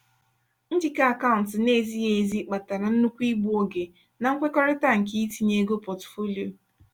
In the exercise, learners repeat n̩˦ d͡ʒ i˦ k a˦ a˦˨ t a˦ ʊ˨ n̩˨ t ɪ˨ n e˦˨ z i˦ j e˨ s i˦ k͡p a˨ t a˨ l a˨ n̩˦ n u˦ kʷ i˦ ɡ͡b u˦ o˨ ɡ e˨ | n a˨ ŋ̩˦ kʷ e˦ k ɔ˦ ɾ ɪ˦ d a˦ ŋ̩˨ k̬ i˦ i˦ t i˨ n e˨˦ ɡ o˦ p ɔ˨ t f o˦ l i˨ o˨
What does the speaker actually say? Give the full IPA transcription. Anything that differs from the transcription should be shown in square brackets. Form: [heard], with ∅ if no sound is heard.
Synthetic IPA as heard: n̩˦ d͡ʒ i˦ k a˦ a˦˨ [k] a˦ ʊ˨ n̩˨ t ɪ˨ n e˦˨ z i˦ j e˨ [z] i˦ k͡p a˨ t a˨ [ɾ] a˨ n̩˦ n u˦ kʷ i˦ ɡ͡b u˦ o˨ ɡ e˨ | n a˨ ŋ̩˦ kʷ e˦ k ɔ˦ ɾ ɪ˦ [t] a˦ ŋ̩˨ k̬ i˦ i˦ t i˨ [ɲ] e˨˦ ɡ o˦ p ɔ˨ t f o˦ l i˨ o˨